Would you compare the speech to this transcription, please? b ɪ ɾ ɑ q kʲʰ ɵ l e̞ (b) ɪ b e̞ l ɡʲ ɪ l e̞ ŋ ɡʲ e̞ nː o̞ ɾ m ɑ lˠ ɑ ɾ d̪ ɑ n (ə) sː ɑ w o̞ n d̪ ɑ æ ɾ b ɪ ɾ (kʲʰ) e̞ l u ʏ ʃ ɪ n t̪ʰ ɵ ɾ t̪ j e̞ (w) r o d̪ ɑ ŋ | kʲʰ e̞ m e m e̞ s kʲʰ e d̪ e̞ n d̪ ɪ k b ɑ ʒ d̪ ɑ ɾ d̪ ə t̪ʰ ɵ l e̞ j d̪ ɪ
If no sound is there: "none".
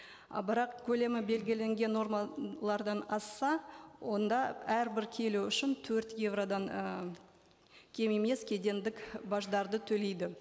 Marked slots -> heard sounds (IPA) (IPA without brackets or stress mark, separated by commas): m, ɑ, kʲʰ, v